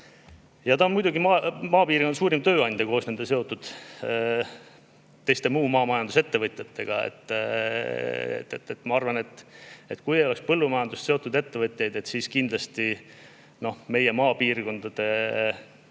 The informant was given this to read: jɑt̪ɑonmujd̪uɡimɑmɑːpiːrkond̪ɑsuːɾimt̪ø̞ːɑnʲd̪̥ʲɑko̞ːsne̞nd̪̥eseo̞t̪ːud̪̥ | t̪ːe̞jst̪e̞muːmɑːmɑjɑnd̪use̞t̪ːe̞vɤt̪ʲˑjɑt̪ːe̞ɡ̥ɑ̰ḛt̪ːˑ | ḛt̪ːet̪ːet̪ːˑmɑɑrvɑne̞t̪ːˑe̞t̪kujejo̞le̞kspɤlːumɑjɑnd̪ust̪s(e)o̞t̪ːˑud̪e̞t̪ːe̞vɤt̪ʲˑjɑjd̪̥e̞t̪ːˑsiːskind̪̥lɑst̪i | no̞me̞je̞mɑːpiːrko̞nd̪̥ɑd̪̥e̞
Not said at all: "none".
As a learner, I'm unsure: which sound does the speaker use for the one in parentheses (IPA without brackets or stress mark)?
e